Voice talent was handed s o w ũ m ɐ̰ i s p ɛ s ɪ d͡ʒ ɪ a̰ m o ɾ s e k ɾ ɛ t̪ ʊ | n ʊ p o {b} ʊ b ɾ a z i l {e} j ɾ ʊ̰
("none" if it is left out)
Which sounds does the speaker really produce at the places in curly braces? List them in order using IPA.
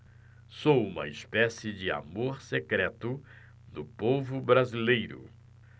v, e

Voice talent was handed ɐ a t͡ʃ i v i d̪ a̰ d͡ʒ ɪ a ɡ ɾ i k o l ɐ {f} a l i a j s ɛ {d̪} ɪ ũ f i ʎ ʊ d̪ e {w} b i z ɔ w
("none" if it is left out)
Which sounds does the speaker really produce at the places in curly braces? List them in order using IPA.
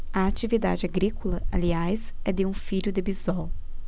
none, d̪, none

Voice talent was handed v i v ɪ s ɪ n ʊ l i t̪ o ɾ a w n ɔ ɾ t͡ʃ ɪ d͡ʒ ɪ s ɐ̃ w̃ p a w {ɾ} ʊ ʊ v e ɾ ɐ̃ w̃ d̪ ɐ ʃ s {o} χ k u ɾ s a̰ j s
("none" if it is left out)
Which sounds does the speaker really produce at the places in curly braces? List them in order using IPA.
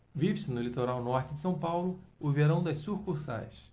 l, u

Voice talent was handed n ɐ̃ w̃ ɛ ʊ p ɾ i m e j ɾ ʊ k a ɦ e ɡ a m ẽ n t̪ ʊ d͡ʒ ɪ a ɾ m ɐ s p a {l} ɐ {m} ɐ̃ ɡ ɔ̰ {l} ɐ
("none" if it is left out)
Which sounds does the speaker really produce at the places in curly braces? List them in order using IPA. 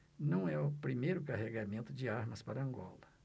ɾ, none, l

